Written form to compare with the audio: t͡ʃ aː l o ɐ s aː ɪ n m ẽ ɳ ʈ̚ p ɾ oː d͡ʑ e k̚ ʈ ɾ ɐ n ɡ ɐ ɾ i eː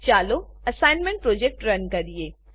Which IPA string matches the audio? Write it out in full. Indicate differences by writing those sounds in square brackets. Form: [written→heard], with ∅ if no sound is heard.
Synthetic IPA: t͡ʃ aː l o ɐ s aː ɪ n m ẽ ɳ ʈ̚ p ɾ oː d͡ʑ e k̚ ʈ ɾ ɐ n [ɡ→k] ɐ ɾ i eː